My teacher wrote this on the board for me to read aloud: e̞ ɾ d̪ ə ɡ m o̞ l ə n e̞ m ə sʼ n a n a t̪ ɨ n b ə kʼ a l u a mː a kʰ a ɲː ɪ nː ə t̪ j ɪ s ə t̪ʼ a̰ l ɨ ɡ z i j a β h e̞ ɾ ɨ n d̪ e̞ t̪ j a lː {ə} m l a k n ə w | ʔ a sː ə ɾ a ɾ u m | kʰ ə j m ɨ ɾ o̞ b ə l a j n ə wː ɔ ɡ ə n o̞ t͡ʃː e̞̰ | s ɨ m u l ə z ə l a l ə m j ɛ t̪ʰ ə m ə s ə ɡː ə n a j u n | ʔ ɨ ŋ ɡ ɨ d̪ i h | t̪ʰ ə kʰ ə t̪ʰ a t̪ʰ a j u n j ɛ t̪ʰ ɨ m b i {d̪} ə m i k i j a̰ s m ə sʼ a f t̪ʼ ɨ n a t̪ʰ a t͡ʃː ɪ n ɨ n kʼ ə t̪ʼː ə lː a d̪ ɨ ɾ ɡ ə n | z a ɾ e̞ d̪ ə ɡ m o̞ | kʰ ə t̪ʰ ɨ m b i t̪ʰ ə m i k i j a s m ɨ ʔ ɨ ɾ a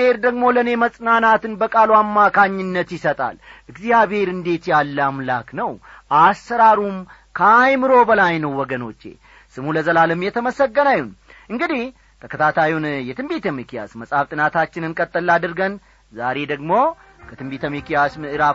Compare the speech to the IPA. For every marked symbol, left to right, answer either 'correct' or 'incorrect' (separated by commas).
incorrect, incorrect